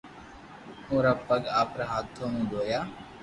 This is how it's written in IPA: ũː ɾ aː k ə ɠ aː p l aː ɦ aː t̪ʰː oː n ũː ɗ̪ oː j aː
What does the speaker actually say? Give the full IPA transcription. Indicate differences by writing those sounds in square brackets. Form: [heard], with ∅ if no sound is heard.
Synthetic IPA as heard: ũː ɾ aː [p] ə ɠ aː p [ɾ] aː ɦ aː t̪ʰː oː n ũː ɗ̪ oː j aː